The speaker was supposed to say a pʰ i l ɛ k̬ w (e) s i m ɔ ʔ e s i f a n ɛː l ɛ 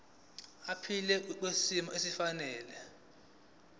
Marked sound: correct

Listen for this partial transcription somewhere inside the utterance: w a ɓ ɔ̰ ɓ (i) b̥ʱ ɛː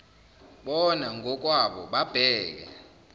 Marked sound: incorrect: a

